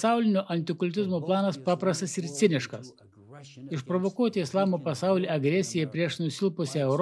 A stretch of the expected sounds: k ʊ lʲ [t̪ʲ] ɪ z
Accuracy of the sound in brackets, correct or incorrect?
correct